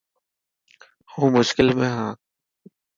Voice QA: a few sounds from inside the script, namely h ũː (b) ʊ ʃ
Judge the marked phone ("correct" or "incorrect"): incorrect